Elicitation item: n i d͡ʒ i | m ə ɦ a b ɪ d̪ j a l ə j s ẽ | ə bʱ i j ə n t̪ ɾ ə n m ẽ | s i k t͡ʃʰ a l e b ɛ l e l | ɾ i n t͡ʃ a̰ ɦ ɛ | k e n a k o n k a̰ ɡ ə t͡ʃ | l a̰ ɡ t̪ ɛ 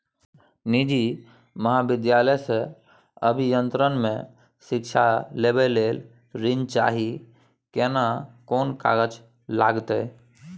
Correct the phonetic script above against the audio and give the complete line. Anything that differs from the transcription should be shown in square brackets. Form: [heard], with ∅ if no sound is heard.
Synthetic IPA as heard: n i d͡ʒ i | m ə ɦ a b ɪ d̪ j a l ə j s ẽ | ə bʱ i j ə n t̪ ɾ ə n m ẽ | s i k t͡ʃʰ a l e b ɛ l e l | ɾ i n t͡ʃ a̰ ɦ [i] | k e n a k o n k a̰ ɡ ə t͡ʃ | l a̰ ɡ t̪ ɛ